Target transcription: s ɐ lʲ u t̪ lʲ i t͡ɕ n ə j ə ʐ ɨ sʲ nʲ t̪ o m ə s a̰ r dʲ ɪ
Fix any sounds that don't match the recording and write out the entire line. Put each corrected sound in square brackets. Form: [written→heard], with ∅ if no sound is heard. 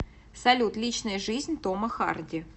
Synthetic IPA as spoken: s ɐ lʲ u t̪ lʲ i t͡ɕ n ə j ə ʐ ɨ [sʲ→zʲ] nʲ t̪ o m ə [s→x] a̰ r dʲ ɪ